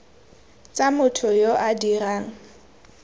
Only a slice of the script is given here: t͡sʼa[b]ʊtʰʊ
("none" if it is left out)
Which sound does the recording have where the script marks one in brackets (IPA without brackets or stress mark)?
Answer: m